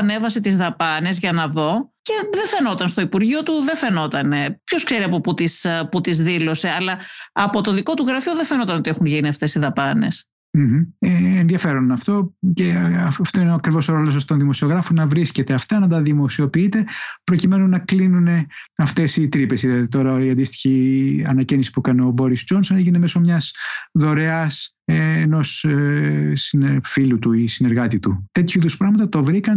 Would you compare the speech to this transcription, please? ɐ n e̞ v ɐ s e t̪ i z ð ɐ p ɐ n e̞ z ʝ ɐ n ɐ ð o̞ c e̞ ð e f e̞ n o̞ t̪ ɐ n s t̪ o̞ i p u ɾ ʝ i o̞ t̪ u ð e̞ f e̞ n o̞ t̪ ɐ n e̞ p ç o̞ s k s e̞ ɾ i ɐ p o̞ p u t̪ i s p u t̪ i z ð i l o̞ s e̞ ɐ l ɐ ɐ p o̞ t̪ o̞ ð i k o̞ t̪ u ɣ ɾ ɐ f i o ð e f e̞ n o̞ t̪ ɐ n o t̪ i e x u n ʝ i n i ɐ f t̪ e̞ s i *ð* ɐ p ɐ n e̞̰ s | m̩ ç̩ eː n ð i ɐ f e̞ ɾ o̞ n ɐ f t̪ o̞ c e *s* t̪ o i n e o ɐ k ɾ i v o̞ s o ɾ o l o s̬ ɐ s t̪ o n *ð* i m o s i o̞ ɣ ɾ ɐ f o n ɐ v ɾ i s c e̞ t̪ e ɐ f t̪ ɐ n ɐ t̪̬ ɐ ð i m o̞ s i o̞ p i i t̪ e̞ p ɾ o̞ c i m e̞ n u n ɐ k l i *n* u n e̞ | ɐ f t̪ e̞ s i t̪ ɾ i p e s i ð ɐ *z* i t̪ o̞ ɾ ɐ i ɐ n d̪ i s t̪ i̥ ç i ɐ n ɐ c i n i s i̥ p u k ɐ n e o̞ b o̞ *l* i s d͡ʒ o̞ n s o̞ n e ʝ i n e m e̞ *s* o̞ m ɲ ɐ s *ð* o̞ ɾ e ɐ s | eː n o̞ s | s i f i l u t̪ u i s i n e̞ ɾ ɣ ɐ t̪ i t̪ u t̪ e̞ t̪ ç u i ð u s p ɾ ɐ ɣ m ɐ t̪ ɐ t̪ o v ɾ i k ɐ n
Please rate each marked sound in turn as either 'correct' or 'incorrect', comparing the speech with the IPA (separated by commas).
correct, incorrect, correct, correct, incorrect, incorrect, correct, correct